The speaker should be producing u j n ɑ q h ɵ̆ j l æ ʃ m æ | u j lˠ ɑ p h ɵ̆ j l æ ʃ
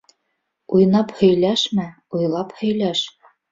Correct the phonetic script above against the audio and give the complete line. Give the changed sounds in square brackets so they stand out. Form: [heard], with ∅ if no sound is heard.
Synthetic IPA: u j n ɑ [p] h ɵ̆ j l æ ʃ m æ | u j lˠ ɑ p h ɵ̆ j l æ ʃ